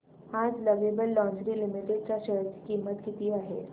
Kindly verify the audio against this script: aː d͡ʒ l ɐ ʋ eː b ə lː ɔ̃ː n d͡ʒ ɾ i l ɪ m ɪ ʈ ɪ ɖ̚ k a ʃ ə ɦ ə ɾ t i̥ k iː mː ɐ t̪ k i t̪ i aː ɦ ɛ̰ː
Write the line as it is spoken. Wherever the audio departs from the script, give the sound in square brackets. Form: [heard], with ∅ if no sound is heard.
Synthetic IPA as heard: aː d͡ʒ l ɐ ʋ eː b ə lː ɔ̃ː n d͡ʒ ɾ i l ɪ m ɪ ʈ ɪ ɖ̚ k a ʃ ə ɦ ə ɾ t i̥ k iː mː [ə] t̪ k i t̪ i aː ɦ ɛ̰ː

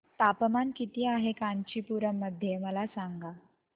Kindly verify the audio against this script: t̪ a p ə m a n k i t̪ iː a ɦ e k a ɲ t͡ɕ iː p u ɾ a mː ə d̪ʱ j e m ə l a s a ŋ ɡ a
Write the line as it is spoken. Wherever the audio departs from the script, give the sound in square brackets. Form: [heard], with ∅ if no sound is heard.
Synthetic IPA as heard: t̪ a p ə m a n k i t̪ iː a ɦ e k a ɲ t͡ɕ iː p u ɾ [ə] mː ə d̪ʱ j e m ə l a s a ŋ ɡ a

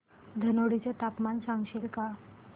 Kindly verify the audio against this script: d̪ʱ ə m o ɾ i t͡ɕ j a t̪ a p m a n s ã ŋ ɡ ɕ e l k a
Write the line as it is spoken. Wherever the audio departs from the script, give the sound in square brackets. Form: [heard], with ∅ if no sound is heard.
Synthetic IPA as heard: d̪ʱ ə [n] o [ɽ] i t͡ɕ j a t̪ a p m a n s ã ŋ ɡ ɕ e l k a

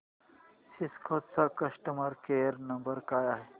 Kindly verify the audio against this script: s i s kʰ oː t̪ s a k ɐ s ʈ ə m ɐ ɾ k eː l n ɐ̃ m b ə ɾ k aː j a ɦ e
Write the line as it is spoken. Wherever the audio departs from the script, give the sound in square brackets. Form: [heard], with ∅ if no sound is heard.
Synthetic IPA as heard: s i s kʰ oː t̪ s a k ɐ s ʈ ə m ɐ ɾ k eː [ɾ] n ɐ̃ m b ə ɾ k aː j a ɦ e

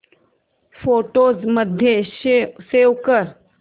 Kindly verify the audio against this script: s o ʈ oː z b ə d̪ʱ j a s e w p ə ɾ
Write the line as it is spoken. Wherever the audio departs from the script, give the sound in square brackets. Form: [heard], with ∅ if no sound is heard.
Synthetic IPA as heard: [f] o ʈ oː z [m] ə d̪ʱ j [e] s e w [k] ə ɾ

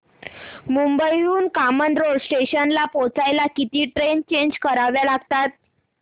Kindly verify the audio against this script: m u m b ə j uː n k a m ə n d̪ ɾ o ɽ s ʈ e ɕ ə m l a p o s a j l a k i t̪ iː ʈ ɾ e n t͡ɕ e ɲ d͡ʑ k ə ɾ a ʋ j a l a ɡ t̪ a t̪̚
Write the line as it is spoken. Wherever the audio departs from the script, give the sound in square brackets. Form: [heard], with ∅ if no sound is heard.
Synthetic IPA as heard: m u m b ə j uː n k a m ə n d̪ ɾ o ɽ s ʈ e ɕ ə [n] l a p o [t͡s] a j l a k i t̪ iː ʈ ɾ e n t͡ɕ e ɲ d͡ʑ k ə ɾ a ʋ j a l a ɡ t̪ a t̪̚

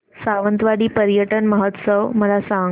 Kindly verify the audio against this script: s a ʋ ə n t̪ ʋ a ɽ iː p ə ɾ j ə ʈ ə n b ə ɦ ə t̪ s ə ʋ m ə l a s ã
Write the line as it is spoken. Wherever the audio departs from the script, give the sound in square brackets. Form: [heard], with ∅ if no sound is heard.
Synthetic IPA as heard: s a ʋ ə n t̪ ʋ a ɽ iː p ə ɾ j ə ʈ ə n [m] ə ɦ ə t̪ s ə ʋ m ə l a s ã

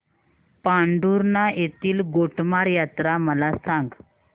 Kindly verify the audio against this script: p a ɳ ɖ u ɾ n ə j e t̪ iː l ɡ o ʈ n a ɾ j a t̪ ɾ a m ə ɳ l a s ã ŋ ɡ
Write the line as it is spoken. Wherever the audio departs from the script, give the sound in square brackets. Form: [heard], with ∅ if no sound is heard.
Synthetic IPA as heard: p a ɳ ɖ u ɾ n [a] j e t̪ iː l ɡ o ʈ [m] a ɾ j a t̪ ɾ a m ə [∅] l a s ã ŋ ɡ

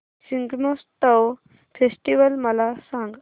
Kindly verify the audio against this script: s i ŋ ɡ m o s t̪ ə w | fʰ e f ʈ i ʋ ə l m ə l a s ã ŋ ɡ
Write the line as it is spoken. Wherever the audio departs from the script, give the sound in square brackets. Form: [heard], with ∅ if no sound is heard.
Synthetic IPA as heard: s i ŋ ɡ m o s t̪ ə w | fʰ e [s] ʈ i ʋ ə l m ə l a s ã ŋ ɡ

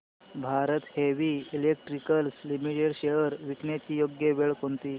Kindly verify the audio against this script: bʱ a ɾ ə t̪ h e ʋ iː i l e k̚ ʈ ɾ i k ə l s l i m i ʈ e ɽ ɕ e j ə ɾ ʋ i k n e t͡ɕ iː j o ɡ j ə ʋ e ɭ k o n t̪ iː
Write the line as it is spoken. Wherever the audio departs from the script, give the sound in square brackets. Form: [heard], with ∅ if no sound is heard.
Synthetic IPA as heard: bʱ a ɾ ə t̪ h e ʋ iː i l e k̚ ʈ ɾ i k ə l s l i m i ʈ e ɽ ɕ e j ə ɾ ʋ i k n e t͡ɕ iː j o ɡ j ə ʋ e ɭ k o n t̪ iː

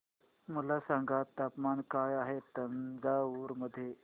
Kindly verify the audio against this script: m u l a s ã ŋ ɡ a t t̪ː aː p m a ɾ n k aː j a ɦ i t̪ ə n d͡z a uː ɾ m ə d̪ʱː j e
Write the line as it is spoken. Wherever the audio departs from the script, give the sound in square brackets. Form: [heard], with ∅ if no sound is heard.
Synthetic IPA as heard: m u l a s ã ŋ ɡ a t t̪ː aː p m a [∅] n k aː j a ɦ [e] t̪ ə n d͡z a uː ɾ m ə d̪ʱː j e

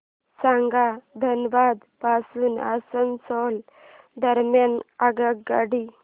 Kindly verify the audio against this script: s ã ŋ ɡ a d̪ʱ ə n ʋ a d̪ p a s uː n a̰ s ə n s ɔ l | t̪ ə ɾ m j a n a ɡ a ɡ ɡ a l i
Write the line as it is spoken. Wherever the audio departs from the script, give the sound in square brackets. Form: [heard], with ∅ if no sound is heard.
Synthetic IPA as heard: s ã ŋ ɡ a d̪ʱ ə n ʋ a d̪ p a s uː n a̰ s ə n s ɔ l | [d̪] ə ɾ m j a n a ɡ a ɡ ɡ a [ɽ] i

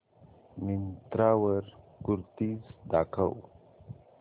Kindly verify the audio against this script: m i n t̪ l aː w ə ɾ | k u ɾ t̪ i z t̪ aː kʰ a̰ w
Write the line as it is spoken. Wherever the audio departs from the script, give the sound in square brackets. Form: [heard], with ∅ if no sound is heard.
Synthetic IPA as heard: m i n t̪ [ɾ] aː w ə ɾ | k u ɾ t̪ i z [d̪] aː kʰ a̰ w

